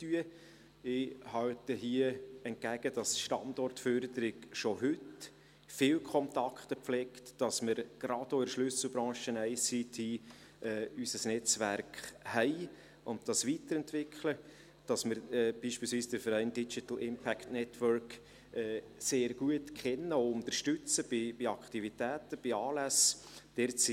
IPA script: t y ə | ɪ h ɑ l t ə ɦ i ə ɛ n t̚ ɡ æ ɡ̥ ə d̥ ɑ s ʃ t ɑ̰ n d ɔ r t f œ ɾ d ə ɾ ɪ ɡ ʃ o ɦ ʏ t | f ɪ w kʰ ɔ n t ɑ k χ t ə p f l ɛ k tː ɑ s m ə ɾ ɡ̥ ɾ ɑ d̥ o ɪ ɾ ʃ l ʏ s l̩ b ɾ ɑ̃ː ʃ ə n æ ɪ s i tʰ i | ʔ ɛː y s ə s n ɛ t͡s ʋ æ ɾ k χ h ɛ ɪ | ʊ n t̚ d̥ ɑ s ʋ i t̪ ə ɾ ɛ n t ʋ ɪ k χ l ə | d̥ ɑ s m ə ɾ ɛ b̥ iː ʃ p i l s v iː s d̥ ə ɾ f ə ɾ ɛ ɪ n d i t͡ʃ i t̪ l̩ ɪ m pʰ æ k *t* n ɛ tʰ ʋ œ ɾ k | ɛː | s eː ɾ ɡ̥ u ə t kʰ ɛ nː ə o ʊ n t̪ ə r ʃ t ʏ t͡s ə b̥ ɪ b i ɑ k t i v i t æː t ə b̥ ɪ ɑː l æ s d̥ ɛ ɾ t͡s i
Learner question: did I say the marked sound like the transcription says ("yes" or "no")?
yes